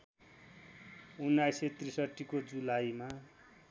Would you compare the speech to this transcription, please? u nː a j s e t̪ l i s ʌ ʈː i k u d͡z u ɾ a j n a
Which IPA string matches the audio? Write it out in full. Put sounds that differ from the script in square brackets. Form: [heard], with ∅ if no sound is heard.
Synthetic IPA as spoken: u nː a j s e t̪ [r] i s ʌ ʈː i k [o] d͡z u [l] a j [m] a